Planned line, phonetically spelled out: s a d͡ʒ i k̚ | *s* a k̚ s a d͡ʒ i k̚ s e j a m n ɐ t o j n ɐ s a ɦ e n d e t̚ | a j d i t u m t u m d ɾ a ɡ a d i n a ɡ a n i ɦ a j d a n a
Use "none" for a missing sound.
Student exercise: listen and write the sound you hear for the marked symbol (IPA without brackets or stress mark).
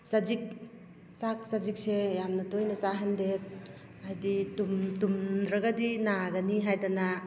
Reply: s